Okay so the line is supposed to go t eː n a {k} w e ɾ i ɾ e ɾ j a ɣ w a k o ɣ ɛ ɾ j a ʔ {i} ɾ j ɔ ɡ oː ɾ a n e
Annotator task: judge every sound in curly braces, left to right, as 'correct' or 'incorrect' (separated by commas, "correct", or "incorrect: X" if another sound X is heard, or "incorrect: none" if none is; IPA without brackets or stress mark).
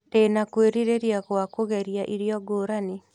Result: correct, correct